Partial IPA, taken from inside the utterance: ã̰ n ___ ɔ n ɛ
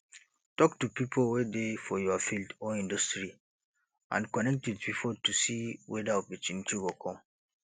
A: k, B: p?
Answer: A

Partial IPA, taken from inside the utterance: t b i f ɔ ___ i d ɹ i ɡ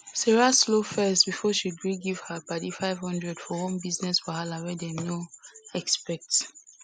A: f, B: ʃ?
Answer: B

